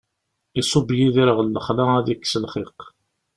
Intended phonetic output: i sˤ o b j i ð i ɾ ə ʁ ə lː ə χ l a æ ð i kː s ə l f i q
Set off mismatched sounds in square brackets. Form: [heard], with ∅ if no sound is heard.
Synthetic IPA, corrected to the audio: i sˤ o b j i ð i ɾ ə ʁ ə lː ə χ l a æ ð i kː s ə l [χ] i q